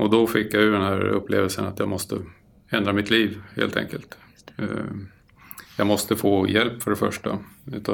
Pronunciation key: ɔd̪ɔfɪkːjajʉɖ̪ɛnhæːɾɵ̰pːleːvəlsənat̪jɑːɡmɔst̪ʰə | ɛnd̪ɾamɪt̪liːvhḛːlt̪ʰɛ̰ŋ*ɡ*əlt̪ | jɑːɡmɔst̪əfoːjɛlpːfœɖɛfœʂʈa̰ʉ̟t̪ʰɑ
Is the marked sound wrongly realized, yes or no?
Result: yes